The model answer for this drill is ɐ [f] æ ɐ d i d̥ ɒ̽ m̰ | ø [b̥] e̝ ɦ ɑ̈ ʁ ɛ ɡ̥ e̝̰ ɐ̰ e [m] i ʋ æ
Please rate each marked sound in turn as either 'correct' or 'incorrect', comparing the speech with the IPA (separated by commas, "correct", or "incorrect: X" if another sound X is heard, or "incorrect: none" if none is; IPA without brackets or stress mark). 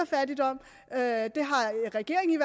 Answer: correct, incorrect: d̥, incorrect: ŋ